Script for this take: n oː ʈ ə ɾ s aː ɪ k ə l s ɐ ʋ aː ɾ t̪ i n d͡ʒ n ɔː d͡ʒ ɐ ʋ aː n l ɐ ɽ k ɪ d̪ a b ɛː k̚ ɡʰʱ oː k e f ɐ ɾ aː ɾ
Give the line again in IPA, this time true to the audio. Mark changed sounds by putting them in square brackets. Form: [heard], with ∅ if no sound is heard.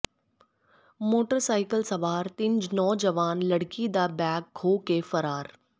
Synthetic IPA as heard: [m] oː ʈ ə ɾ s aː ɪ k ə l s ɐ ʋ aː ɾ t̪ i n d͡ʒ n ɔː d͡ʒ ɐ ʋ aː n l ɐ ɽ k [i] d̪ a b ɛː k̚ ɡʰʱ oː k e f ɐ ɾ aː ɾ